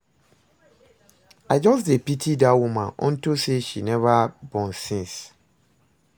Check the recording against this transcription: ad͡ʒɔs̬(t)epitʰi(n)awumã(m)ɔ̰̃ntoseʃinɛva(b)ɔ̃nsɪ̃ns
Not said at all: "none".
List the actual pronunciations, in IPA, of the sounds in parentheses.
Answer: d, d, n, b

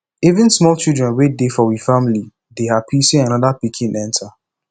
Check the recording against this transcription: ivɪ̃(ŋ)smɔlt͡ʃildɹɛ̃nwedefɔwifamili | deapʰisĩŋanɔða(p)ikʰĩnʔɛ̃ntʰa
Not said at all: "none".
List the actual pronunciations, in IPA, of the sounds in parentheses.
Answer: n, p

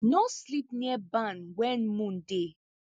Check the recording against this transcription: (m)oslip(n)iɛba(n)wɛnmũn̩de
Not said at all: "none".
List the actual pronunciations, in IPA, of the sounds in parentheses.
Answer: n, n, n

